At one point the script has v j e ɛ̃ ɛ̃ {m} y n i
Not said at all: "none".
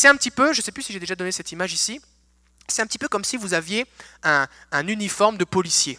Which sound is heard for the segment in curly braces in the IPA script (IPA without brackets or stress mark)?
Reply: n